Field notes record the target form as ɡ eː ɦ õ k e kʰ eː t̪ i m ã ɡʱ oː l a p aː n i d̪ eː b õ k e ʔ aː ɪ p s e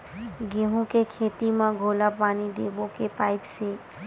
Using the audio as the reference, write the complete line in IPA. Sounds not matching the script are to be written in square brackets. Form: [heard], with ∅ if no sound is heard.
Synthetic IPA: ɡ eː ɦ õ k e kʰ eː t̪ i m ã ɡʱ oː l a p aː n i d̪ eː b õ k e [p] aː ɪ p s e